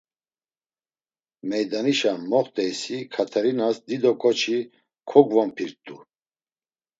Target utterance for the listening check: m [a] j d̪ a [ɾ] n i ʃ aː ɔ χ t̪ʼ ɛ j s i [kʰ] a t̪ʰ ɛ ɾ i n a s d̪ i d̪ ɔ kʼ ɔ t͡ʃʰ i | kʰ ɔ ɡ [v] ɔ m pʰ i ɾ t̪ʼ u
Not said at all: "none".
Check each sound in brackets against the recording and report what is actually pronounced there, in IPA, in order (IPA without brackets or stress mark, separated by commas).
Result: ɛ, none, kʰ, v